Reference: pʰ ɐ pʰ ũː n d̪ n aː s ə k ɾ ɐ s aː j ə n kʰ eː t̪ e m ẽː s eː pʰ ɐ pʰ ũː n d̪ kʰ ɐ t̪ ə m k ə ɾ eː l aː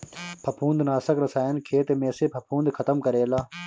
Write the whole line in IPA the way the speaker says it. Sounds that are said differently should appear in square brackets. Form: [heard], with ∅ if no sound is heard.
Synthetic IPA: pʰ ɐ pʰ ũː n d̪ n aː s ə k ɾ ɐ s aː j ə n kʰ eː t̪ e m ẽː s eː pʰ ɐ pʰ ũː n d̪ kʰ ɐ t̪ ə m k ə ɾ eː l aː